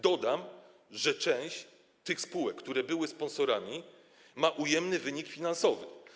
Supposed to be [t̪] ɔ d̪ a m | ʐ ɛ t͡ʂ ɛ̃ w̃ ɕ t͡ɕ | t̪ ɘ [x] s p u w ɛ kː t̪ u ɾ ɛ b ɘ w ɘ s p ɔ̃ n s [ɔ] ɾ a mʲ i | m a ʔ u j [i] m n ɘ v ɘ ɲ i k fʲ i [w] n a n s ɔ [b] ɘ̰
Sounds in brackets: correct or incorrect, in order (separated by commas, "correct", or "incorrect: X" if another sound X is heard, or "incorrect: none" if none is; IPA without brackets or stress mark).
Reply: incorrect: d̪, correct, correct, incorrect: ɛ, incorrect: none, incorrect: v